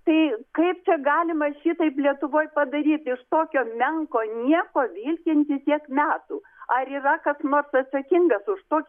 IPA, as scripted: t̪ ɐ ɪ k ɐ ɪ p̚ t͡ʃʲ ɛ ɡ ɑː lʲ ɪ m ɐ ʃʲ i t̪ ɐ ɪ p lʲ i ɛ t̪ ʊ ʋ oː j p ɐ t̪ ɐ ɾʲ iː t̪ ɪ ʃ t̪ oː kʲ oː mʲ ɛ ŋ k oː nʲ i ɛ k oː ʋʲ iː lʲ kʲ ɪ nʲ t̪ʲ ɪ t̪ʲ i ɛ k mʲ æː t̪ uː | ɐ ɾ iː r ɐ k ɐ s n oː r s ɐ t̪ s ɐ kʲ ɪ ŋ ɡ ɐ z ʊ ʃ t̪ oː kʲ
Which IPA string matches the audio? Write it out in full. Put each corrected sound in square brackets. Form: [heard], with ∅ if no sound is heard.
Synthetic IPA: t̪ ɐ ɪ k ɐ ɪ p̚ t͡ʃʲ ɛ ɡ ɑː lʲ ɪ m ɐ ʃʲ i t̪ ɐ ɪ p lʲ i ɛ t̪ ʊ ʋ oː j p ɐ [d̪] ɐ ɾʲ iː t̪ ɪ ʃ t̪ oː kʲ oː mʲ ɛ ŋ k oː nʲ i ɛ k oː ʋʲ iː lʲ kʲ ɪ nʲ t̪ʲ ɪ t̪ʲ i ɛ k mʲ æː t̪ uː | ɐ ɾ iː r ɐ k ɐ s n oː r s ɐ t̪ s ɐ kʲ ɪ ŋ ɡ ɐ [s] ʊ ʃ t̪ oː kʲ